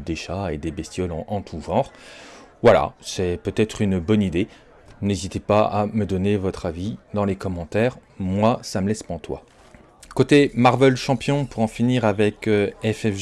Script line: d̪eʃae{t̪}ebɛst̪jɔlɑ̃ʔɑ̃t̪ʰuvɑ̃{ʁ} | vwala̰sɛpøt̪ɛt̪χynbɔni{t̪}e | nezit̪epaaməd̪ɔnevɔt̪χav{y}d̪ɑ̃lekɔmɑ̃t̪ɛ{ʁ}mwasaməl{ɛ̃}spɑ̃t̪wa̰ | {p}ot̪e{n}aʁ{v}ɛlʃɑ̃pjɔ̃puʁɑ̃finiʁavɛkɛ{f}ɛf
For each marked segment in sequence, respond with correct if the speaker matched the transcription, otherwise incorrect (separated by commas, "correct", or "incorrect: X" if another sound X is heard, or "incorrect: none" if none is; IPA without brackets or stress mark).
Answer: incorrect: d̪, correct, incorrect: d̪, incorrect: i, correct, incorrect: ɛ, incorrect: k, incorrect: m, correct, correct